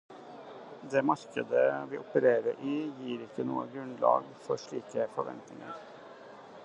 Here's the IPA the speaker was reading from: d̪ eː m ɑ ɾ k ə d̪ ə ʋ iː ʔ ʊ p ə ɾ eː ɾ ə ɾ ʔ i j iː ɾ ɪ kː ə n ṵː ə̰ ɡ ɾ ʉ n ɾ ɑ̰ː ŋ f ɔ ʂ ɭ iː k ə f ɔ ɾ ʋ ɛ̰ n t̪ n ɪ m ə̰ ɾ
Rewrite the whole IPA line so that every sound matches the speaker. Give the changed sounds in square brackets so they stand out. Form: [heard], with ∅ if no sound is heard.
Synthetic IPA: d̪ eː m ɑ ɾ k ə d̪ ə ʋ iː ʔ ʊ p ə ɾ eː ɾ ə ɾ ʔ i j iː ɾ ɪ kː ə n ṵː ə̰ ɡ ɾ ʉ n [l] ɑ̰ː [ɡ] f ɔ ʂ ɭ iː k ə f ɔ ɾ ʋ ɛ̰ n t̪ n ɪ [ŋ] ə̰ ɾ